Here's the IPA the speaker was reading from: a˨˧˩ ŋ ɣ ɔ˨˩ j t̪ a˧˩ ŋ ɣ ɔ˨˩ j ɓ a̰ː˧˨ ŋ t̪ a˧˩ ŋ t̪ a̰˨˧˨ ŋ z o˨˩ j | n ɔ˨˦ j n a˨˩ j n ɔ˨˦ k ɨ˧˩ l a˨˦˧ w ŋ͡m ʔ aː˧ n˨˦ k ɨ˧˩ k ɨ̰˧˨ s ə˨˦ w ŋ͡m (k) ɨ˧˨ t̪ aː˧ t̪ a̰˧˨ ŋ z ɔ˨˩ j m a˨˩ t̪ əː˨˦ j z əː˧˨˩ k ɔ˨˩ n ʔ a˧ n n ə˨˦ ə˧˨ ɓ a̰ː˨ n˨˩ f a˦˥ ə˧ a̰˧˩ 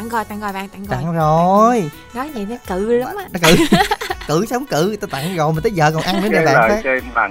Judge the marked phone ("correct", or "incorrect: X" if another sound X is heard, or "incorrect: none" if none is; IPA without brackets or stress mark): correct